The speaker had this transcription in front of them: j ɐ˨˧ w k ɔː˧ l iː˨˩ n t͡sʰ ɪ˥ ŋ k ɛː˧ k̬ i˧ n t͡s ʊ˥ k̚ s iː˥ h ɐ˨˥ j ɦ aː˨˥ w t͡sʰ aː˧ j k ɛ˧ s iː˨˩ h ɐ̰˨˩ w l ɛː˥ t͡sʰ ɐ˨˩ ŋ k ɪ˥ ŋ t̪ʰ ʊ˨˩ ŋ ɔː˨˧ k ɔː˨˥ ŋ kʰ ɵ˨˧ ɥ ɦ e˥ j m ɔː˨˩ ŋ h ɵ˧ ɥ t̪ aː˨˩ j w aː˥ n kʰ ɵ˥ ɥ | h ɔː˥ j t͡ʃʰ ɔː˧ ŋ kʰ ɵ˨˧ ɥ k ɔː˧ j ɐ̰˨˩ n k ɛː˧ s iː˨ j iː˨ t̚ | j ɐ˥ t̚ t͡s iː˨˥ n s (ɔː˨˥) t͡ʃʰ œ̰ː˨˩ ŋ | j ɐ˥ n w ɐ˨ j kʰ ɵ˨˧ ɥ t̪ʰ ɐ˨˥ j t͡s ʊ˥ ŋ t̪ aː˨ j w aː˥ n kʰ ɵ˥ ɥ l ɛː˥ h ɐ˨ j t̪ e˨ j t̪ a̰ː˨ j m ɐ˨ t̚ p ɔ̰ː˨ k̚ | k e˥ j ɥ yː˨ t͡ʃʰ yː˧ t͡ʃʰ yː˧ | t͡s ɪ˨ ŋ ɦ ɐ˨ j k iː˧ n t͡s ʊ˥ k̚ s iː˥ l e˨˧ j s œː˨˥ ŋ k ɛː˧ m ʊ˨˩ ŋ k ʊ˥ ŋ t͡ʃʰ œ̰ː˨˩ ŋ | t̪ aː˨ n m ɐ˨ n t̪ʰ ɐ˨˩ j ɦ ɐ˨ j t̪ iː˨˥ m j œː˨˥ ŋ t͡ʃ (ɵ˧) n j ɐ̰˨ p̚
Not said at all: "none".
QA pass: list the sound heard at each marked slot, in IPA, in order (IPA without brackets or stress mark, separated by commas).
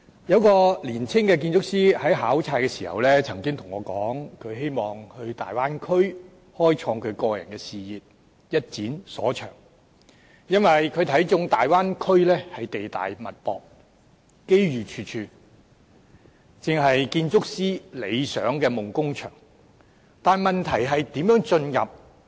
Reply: ɔː˨˥, ɵ˧